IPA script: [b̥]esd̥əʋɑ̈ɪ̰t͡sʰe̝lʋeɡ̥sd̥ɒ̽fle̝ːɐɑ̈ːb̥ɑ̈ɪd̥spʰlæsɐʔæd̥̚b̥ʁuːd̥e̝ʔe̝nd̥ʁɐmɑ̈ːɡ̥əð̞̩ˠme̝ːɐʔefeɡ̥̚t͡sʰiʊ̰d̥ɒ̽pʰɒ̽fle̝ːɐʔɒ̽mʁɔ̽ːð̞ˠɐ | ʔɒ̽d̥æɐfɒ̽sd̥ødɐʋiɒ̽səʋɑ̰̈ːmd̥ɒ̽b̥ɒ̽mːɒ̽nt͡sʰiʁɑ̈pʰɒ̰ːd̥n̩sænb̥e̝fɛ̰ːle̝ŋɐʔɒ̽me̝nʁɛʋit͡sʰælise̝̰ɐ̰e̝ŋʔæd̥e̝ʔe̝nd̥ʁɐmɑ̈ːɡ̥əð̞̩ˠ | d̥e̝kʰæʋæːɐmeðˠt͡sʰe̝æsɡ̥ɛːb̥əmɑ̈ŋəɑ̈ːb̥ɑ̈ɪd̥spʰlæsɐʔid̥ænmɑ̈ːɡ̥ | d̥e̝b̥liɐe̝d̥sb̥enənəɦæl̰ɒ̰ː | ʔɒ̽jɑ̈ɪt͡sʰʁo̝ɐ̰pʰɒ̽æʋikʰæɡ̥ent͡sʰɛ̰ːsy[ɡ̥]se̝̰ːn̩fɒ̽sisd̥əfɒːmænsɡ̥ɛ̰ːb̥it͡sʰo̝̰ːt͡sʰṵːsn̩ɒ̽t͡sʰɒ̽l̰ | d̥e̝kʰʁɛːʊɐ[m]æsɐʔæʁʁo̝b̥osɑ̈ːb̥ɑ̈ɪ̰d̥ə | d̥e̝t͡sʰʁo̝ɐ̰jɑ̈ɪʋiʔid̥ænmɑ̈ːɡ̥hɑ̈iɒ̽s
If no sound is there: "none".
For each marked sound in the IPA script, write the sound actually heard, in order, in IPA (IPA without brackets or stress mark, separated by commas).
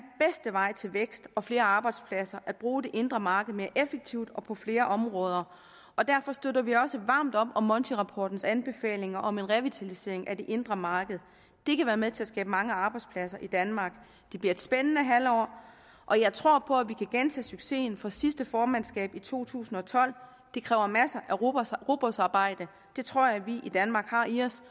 b̥, ɡ̥, m